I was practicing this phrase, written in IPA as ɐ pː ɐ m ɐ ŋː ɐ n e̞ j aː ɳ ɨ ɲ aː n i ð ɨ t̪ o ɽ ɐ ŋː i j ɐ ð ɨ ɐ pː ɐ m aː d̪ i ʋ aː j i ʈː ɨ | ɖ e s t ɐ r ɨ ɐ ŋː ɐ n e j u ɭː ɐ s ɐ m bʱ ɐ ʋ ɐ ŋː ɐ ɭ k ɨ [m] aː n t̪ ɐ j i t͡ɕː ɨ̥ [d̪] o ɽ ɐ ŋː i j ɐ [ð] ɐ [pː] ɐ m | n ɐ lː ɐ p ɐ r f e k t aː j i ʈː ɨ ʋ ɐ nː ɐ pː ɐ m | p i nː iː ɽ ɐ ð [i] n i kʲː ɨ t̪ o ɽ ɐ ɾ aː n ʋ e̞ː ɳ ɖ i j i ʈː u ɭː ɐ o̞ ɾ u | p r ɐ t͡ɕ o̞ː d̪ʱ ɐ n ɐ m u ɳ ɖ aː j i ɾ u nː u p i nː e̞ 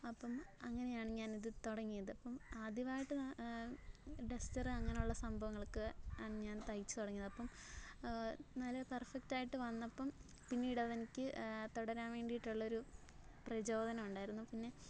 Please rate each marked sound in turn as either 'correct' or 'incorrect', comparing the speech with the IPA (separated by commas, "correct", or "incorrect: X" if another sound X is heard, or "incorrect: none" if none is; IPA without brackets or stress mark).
incorrect: ɲ, incorrect: t̪, correct, correct, incorrect: e